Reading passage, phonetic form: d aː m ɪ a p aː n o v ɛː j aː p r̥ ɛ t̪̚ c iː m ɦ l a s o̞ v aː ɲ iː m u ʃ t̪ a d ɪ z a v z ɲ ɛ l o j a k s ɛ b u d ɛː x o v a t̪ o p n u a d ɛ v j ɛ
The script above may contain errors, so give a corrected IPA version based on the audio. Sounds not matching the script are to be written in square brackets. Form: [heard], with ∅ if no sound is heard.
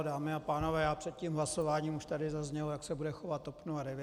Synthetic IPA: d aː m ɪ a p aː n o v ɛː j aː p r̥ ɛ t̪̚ c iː m ɦ l a s o̞ v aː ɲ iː m u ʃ t̪ a d ɪ z a [∅] z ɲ ɛ l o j a k s ɛ b u d [ɛ] x o v a t̪ o p n u a d ɛ v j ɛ